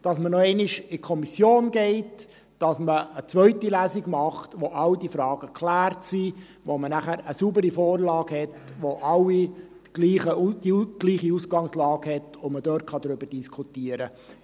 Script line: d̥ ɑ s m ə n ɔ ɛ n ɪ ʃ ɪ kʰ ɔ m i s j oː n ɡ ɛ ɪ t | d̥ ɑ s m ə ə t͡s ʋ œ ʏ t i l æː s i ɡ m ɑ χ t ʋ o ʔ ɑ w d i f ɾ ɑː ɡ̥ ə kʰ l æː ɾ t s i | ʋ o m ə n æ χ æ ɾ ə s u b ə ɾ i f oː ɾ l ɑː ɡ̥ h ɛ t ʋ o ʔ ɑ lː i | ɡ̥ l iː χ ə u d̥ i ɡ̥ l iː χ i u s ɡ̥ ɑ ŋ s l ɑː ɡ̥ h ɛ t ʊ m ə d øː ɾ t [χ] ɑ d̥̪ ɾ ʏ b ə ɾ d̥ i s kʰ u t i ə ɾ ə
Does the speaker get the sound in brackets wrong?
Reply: no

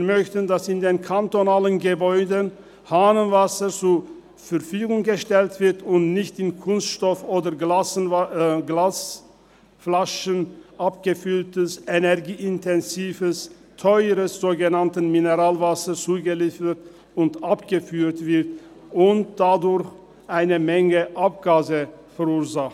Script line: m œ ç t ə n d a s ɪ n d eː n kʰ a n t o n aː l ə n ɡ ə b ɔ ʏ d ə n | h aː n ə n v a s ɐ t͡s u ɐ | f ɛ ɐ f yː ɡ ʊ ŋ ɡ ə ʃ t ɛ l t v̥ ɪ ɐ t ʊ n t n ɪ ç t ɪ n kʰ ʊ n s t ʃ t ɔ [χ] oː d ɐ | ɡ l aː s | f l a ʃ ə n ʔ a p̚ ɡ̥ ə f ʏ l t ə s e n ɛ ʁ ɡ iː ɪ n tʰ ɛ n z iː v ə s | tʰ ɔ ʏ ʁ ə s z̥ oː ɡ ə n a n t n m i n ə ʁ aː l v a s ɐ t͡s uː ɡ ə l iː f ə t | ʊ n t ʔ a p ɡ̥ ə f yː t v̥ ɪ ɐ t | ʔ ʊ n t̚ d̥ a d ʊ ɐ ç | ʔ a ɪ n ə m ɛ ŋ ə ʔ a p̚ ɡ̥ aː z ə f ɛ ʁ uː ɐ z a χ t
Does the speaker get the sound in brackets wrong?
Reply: yes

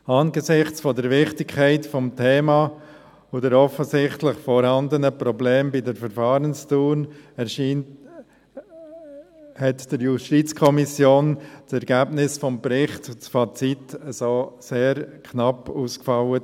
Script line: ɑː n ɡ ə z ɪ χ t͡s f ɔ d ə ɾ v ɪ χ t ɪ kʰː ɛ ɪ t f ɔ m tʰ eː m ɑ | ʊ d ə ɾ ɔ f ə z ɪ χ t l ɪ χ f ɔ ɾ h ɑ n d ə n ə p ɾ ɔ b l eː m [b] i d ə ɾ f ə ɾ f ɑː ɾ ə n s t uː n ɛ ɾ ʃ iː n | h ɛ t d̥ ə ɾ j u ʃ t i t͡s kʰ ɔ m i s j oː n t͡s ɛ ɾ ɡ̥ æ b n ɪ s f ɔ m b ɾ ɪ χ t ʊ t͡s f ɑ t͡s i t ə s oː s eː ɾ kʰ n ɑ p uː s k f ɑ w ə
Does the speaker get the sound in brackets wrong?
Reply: no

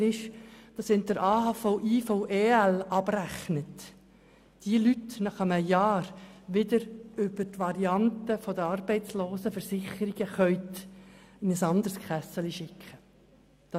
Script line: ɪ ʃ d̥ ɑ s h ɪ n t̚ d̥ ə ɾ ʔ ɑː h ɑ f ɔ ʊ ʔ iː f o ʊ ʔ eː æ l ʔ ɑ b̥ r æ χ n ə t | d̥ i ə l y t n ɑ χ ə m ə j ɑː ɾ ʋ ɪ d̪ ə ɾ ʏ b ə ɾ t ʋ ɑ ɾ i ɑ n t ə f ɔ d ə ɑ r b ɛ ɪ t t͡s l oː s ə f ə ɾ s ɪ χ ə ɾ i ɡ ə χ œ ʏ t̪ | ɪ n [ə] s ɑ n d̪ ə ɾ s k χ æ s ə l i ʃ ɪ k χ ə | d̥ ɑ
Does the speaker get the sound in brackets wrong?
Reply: no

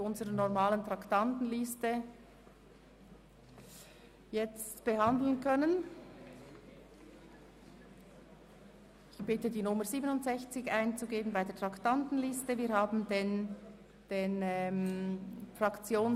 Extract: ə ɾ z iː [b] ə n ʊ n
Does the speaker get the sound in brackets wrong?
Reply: no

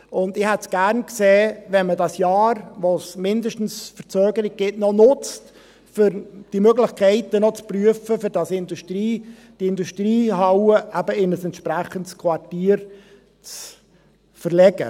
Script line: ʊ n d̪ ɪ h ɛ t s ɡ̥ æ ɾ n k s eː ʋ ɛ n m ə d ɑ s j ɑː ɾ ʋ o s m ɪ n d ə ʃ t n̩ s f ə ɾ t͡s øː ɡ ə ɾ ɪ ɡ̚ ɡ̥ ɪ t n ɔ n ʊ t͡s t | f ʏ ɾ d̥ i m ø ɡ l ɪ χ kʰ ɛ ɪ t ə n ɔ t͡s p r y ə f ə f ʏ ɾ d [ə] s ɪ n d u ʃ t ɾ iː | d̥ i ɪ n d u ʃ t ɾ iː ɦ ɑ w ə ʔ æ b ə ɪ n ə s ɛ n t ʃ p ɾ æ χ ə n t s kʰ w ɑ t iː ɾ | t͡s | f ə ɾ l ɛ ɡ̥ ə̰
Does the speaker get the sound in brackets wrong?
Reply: yes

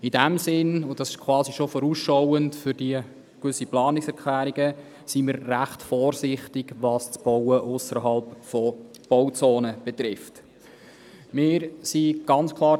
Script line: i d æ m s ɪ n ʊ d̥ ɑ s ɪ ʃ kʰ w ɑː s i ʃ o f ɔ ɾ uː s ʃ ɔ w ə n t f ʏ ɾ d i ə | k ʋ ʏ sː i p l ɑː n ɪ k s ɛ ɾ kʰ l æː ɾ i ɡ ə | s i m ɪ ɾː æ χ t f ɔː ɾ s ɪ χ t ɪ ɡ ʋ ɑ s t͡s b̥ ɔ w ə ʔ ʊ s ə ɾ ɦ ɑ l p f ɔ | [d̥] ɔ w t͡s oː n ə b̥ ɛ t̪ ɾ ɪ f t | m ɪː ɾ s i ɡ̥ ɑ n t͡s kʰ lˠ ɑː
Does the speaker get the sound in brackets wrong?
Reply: yes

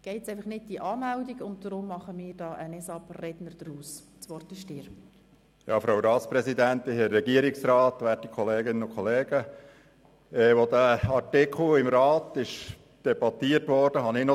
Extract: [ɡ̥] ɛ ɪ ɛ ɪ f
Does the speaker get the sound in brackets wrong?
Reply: no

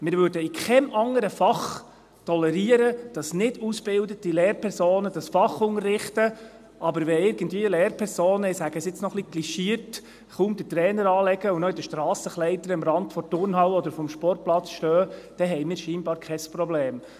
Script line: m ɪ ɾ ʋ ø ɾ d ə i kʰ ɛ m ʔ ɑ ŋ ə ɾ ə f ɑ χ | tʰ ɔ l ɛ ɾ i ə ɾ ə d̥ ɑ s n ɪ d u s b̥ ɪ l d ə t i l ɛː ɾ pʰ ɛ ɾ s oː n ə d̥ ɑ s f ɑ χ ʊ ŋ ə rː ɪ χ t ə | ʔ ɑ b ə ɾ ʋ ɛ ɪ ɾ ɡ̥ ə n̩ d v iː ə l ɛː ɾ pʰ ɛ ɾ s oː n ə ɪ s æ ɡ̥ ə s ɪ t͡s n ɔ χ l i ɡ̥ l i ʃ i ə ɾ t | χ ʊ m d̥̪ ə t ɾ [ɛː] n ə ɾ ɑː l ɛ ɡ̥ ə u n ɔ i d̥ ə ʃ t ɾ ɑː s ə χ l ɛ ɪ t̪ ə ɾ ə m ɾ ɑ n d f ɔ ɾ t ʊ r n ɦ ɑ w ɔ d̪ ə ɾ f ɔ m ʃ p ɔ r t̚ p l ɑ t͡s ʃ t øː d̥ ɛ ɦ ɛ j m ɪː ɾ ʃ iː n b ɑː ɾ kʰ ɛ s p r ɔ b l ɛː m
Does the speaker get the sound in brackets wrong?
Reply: no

